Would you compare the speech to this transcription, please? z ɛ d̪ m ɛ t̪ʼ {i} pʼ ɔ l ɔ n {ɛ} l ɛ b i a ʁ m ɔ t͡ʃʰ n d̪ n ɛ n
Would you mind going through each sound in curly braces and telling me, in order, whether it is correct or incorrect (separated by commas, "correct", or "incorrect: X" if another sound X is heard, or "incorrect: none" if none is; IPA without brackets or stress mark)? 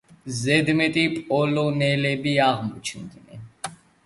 correct, correct